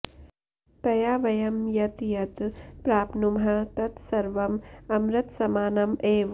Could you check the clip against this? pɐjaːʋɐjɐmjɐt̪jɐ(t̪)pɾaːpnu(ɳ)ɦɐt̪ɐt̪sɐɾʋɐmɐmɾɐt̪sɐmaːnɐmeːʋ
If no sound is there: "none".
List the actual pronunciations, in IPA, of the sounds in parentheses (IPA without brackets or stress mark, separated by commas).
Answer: t̪, m